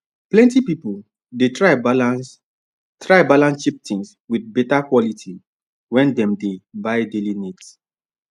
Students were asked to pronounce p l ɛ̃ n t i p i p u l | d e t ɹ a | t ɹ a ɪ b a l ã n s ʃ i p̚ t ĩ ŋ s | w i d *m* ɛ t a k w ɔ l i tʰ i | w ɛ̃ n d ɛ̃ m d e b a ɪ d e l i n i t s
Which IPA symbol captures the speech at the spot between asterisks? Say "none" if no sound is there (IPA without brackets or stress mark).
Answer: b